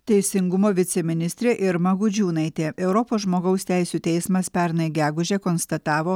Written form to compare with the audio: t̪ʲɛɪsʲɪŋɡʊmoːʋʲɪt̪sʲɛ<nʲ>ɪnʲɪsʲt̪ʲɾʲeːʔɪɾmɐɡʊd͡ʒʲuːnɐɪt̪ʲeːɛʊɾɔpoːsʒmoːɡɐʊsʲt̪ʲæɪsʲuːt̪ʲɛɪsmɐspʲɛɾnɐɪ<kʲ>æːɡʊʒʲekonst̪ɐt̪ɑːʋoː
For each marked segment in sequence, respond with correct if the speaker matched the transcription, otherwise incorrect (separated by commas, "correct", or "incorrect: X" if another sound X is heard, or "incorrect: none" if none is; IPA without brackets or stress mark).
incorrect: mʲ, incorrect: ɡʲ